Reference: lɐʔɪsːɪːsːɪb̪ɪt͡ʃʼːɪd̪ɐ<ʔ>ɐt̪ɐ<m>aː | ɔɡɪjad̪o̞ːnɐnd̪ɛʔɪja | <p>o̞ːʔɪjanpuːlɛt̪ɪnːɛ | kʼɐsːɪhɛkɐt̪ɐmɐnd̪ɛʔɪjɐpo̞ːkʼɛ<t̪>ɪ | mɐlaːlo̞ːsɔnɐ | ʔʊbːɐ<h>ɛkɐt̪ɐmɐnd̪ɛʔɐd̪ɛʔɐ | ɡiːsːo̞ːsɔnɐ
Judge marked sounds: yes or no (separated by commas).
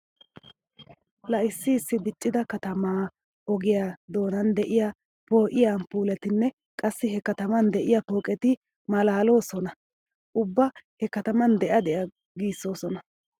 no, yes, yes, yes, yes